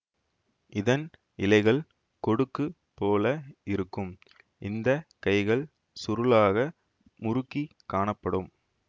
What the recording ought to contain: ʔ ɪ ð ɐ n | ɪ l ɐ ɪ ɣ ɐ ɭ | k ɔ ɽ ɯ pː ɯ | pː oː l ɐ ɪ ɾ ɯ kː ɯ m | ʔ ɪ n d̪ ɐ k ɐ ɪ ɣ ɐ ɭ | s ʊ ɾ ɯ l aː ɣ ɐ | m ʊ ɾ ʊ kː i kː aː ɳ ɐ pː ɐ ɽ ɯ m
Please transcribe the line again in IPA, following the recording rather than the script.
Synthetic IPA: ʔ ɪ ð ɐ n | ɪ l ɐ ɪ ɣ ɐ ɭ | k ɔ ɽ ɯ kː ɯ | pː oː l ɐ ɪ ɾ ɯ kː ɯ m | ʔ ɪ n d̪ ɐ k ɐ ɪ ɣ ɐ ɭ | s ʊ ɾ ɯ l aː ɣ ɐ | m ʊ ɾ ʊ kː i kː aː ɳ ɐ pː ɐ ɽ ɯ m